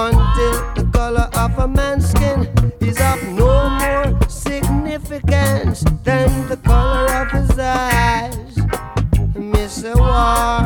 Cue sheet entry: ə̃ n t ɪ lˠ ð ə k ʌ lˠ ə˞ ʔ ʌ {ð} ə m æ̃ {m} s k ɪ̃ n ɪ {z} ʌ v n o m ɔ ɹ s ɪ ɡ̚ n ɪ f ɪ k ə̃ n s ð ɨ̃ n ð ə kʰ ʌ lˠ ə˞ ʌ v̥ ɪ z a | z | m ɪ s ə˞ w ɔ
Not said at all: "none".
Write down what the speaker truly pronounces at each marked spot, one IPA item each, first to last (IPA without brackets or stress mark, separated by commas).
v, n, z